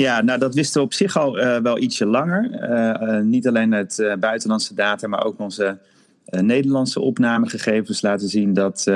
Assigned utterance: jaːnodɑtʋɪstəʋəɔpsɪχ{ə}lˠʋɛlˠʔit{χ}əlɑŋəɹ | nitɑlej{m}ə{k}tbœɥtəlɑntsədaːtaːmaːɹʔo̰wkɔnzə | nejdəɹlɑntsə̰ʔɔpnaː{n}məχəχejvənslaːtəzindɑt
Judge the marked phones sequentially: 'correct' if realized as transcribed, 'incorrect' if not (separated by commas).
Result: incorrect, incorrect, incorrect, incorrect, incorrect